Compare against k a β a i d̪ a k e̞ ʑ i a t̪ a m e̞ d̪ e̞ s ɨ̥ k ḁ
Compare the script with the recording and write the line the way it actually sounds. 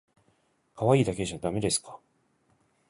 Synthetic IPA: k a β a iː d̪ a k e̞ ʑ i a d̪ a m e̞ d̪ e̞ s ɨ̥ k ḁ